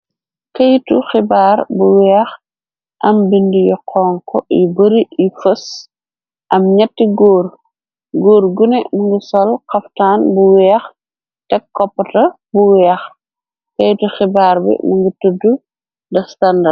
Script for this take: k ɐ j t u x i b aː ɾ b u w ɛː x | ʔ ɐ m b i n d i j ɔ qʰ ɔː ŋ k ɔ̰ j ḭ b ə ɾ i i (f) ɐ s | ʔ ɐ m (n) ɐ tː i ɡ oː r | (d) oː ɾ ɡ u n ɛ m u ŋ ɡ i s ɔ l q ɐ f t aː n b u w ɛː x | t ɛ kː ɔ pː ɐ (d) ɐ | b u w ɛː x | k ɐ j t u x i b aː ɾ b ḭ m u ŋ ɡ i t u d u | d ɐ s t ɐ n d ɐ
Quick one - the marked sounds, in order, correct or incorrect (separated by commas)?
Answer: correct, incorrect, incorrect, incorrect